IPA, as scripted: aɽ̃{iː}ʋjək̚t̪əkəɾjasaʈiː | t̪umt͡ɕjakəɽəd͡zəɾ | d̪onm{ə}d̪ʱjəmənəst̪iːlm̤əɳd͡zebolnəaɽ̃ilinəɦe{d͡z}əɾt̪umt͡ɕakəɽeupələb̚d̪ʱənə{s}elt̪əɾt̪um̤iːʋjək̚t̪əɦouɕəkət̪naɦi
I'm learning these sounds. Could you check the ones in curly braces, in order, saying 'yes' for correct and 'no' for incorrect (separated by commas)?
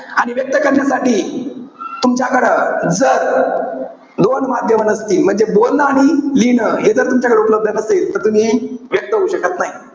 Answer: no, no, yes, yes